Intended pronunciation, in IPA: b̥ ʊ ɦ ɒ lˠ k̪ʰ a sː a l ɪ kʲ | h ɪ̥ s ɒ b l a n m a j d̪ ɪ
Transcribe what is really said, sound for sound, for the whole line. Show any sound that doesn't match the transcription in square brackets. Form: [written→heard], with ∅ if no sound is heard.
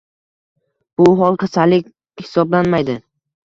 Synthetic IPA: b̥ ʊ ɦ ɒ lˠ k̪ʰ a [sː→s] a l ɪ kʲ | h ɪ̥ s ɒ b l a n m a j d̪ ɪ